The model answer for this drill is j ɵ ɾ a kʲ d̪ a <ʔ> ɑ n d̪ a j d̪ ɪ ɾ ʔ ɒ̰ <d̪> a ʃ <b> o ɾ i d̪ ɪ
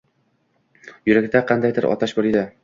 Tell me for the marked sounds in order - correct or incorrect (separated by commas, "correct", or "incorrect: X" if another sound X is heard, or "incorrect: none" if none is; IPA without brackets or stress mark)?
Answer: incorrect: q, incorrect: t̪, correct